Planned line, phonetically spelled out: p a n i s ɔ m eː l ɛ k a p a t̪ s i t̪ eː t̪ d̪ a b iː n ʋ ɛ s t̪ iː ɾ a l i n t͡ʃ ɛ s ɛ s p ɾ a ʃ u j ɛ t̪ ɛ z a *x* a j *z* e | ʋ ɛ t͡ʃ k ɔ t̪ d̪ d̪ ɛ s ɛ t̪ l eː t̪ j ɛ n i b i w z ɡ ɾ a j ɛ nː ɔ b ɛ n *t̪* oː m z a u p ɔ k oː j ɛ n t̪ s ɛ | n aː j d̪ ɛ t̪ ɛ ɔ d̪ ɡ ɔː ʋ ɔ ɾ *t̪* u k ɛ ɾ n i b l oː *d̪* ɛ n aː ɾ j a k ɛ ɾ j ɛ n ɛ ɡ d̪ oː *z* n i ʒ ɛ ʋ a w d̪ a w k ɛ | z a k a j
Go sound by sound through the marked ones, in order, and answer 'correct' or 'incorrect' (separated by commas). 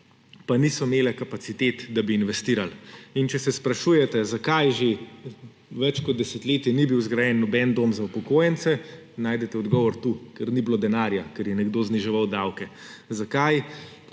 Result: incorrect, incorrect, incorrect, correct, correct, correct